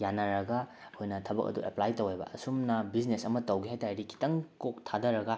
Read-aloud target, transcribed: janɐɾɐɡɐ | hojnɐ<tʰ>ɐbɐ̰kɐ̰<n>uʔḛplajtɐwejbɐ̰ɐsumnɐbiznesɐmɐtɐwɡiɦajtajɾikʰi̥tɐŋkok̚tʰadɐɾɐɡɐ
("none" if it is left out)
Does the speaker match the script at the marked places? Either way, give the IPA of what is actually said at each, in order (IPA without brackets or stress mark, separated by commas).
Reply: tʰ, d